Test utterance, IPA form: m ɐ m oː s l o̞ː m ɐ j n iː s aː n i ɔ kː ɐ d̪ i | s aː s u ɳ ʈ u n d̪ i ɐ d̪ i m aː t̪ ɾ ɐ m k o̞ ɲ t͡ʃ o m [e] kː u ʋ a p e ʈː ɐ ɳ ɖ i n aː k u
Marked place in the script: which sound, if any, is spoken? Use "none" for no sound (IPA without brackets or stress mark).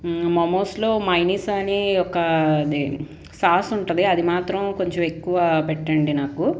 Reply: e